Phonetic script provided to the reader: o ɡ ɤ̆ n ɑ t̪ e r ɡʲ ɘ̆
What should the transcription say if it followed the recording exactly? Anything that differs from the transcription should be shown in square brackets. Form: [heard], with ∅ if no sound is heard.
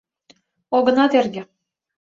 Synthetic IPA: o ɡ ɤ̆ n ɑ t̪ e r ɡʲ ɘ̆